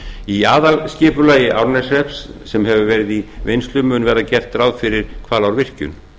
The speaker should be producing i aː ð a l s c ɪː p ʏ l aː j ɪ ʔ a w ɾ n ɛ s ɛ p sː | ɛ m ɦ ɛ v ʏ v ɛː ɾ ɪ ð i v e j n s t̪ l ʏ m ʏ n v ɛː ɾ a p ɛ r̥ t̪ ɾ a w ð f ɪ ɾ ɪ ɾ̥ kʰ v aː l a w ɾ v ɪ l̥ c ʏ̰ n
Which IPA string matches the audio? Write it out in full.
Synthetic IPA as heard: i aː ð a l s c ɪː p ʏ l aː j ɪ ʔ a w ɾ n ɛ s ɛ p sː | ɛ m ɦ ɛ v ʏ v ɛː ɾ ɪ ð i v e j n s t̪ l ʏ m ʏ n v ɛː ɾ a c ɛ r̥ t̪ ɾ a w ð f ɪ ɾ ɪ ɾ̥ kʰ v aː l a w ɾ v ɪ r̥ c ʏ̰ n